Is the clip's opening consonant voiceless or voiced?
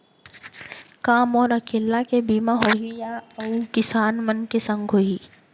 voiceless